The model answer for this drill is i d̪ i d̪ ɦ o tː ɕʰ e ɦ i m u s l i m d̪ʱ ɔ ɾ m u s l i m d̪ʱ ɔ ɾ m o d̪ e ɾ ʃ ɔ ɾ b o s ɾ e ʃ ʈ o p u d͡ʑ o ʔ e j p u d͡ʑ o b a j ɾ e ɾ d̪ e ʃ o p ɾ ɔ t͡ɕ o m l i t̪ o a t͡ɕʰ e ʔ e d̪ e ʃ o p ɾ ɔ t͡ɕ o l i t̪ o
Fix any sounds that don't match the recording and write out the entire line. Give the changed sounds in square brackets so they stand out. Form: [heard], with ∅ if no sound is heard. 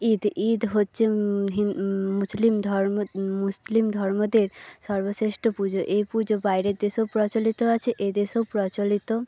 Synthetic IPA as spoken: i d̪ i d̪ ɦ o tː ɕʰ e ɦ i m u s l i m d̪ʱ ɔ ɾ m u s l i m d̪ʱ ɔ ɾ m o d̪ e ɾ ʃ ɔ ɾ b o s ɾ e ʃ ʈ o p u d͡ʑ o ʔ e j p u d͡ʑ o b a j ɾ e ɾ d̪ e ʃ o p ɾ ɔ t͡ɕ o [∅] l i t̪ o a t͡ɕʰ e ʔ e d̪ e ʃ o p ɾ ɔ t͡ɕ o l i t̪ o

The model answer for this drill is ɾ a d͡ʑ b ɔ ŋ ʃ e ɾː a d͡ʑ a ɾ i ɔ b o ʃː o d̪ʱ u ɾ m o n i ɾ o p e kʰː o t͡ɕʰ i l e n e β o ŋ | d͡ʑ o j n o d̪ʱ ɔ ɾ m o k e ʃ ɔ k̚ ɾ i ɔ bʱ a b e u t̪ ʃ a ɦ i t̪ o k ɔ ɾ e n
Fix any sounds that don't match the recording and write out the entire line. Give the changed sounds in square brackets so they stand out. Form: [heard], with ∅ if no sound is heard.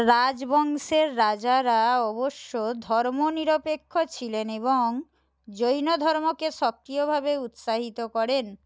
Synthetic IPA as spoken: ɾ a d͡ʑ b ɔ ŋ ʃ e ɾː a d͡ʑ a ɾ [a] ɔ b o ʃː o d̪ʱ [ɔ] ɾ m o n i ɾ o p e kʰː o t͡ɕʰ i l e n e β o ŋ | d͡ʑ o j n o d̪ʱ ɔ ɾ m o k e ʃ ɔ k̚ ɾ i [o] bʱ a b e u t̪ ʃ a ɦ i t̪ o k ɔ ɾ e n

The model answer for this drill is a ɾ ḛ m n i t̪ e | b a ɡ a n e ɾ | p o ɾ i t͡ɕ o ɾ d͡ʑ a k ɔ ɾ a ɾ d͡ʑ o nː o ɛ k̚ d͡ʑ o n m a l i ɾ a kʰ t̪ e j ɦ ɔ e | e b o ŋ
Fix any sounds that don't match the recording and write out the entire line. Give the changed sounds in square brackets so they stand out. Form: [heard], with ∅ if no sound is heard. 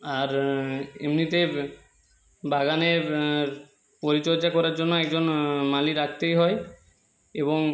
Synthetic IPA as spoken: a ɾ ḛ m n i t̪ e | b a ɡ a n e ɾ | p o ɾ i t͡ɕ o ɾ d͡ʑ a k ɔ ɾ a ɾ d͡ʑ o nː o ɛ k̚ d͡ʑ o n m a l i ɾ a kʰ t̪ e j ɦ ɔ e | e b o ŋ

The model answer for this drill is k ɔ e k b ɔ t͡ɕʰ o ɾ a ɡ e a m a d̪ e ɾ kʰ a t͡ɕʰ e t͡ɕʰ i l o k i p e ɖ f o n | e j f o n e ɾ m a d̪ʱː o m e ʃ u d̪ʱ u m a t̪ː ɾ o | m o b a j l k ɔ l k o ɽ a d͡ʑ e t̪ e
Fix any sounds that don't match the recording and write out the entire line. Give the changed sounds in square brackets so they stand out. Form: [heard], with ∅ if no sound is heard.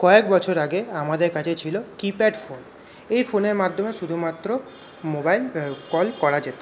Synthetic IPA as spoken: k ɔ e k b ɔ t͡ɕʰ o ɾ a ɡ e a m a d̪ e ɾ [k] a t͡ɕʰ e t͡ɕʰ i l o k i p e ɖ f o n | e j f o n e ɾ m a d̪ʱː o m e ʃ u d̪ʱ u m a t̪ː ɾ o | m o b a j l k ɔ l k [ɔ] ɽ a d͡ʑ e t̪ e

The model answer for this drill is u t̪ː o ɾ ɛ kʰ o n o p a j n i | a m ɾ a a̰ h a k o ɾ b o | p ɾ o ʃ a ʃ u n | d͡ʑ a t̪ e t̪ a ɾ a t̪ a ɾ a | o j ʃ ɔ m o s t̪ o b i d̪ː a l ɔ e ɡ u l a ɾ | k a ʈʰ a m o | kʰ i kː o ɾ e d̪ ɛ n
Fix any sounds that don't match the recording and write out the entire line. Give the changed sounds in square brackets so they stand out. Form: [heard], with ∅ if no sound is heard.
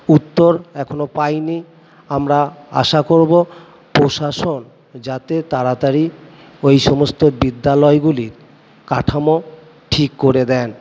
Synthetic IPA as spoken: u t̪ː o ɾ ɛ kʰ o n o p a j n i | a m ɾ a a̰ [ʃ] a k o ɾ b o | p ɾ o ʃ a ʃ [o] n | d͡ʑ a t̪ e t̪ a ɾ a t̪ a ɾ [i] | o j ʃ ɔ m o s t̪ o b i d̪ː a l ɔ e ɡ u l [i] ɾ | k a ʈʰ a m o | [ʈʰ] i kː o ɾ e d̪ ɛ n

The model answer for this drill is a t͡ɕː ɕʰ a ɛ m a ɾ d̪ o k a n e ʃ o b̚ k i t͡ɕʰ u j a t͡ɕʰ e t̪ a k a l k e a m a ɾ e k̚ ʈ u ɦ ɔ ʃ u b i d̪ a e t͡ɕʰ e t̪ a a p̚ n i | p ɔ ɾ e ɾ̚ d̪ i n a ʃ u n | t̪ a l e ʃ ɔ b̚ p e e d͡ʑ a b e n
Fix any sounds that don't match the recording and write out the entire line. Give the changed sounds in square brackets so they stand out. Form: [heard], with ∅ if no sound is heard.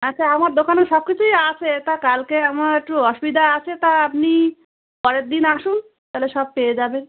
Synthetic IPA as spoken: a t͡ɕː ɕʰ a [a] m a ɾ d̪ o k a n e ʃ [ɔ] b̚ k i t͡ɕʰ u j a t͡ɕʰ e t̪ a k a l k e a m a ɾ e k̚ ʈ u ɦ ɔ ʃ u b i d̪ a [a] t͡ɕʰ e t̪ a a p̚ n i | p ɔ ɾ e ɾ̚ d̪ i n a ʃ u n | t̪ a l e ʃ ɔ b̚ p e e d͡ʑ a b e n

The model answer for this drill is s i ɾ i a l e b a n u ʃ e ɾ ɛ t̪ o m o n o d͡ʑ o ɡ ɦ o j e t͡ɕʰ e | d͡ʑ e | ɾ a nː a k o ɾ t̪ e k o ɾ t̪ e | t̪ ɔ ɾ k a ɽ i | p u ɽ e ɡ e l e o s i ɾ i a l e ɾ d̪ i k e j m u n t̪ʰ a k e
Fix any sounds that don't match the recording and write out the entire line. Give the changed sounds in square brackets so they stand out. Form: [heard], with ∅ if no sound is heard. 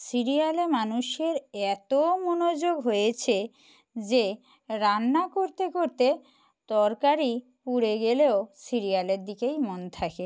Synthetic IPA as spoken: s i ɾ i a l e [m] a n u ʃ e ɾ ɛ t̪ o m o n o d͡ʑ o ɡ ɦ o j e t͡ɕʰ e | d͡ʑ e | ɾ a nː a k o ɾ t̪ e k o ɾ t̪ e | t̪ ɔ ɾ k a [ɾ] i | p u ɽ e ɡ e l e o s i ɾ i a l e ɾ d̪ i k e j m [o] n t̪ʰ a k e

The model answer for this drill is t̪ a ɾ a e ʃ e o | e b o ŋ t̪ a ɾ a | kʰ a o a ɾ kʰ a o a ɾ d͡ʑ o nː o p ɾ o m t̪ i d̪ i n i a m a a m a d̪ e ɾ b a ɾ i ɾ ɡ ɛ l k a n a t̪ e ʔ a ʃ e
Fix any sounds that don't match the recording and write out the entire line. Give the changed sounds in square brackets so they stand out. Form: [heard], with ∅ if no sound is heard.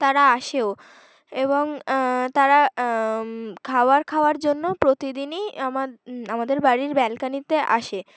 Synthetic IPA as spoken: t̪ a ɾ a [a] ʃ e o | e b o ŋ t̪ a ɾ a | kʰ a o a ɾ kʰ a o a ɾ d͡ʑ o nː o p ɾ o [∅] t̪ i d̪ i n i a m a a m a d̪ e ɾ b a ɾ i ɾ [b] ɛ l k a n [i] t̪ e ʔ a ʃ e

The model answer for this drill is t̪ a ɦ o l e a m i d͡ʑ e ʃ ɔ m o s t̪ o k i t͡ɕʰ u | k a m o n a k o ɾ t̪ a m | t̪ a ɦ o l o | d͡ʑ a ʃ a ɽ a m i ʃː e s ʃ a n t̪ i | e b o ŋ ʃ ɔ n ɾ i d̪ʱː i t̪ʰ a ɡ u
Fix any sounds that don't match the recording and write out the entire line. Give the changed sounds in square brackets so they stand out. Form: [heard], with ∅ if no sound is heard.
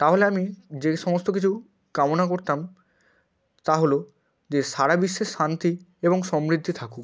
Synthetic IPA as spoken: t̪ a ɦ o l e a m i d͡ʑ e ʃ ɔ m o s t̪ o k i t͡ɕʰ u | k a m o n a k o ɾ t̪ a m | t̪ a ɦ o l o | d͡ʑ [e] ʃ a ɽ a [b] i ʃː e [ʃ] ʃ a n t̪ i | e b o ŋ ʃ ɔ [m] ɾ i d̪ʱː i t̪ʰ a [k] u

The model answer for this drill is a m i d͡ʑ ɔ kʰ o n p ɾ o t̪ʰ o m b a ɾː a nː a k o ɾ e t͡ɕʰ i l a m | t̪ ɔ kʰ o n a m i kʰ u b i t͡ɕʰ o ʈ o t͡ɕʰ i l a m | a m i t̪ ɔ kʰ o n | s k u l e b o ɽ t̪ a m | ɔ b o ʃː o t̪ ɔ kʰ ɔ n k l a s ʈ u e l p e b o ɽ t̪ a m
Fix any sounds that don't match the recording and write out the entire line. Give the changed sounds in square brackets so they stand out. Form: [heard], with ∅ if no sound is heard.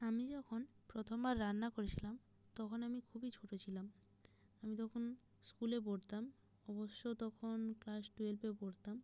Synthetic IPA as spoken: a m i d͡ʑ ɔ kʰ o n p ɾ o t̪ʰ o m b a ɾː a nː a k o ɾ e t͡ɕʰ i l a m | t̪ ɔ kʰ o n a m i kʰ u b i t͡ɕʰ o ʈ o t͡ɕʰ i l a m | a m i t̪ ɔ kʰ o n | s k u l e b o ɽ t̪ a m | ɔ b o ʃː o t̪ ɔ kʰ [o] n k l a s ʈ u e l p e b o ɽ t̪ a m

